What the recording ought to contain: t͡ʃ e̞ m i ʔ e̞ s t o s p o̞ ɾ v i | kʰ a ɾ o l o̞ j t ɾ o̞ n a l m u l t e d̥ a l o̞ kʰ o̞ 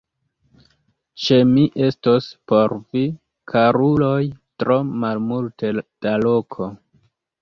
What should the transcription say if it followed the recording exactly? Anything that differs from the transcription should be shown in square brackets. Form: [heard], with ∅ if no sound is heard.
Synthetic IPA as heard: t͡ʃ e̞ m i ʔ e̞ s t o s p o̞ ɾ v i | kʰ a ɾ [u] l o̞ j t ɾ o̞ [m] a l m u l t e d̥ a l o̞ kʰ o̞